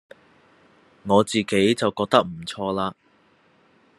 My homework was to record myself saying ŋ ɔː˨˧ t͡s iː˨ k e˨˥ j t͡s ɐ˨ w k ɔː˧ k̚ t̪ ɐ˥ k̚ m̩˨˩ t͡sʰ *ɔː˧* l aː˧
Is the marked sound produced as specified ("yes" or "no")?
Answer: yes